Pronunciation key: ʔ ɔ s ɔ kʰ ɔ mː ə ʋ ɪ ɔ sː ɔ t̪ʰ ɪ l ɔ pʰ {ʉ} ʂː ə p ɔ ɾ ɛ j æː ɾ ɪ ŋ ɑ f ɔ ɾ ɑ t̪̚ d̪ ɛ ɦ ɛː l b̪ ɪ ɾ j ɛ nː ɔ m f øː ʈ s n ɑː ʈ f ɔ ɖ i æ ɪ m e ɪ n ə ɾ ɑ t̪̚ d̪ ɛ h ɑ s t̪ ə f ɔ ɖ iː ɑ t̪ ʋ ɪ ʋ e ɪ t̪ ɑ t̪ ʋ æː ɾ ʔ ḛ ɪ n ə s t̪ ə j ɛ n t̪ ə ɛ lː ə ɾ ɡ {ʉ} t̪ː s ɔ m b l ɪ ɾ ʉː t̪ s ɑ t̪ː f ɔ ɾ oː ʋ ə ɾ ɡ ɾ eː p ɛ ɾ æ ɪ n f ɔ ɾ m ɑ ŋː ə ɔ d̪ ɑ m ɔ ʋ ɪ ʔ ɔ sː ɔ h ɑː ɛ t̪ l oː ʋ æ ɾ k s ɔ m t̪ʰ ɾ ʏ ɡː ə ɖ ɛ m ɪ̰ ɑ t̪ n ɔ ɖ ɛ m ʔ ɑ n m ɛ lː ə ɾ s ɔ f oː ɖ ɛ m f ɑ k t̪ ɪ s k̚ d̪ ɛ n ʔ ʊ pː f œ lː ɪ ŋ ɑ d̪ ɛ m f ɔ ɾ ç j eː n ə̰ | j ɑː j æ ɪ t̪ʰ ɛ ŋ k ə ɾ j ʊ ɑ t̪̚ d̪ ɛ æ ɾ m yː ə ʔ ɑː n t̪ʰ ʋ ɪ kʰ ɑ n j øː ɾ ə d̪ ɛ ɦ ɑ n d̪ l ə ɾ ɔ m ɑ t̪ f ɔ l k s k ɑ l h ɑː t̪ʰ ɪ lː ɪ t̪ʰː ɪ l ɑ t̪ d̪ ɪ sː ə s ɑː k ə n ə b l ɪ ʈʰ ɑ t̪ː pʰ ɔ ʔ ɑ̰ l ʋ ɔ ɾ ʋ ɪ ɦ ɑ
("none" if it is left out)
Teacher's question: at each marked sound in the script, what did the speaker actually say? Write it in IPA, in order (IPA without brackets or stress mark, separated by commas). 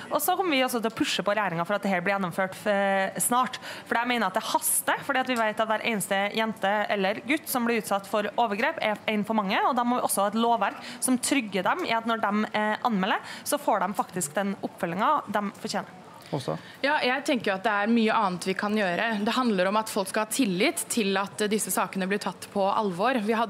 ʉ, ʉ